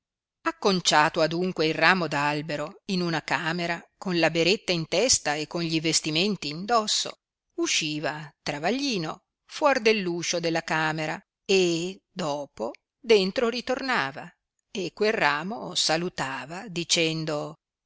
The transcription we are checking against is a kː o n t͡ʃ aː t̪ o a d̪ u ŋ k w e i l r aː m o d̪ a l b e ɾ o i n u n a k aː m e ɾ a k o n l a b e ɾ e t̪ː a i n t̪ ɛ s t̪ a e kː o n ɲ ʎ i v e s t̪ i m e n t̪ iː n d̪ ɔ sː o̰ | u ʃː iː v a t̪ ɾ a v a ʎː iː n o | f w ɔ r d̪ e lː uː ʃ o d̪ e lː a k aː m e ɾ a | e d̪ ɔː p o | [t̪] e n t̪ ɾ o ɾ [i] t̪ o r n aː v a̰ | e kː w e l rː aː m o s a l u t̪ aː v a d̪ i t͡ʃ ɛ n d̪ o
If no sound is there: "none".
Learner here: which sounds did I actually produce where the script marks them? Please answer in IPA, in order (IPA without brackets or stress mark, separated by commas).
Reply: d̪, i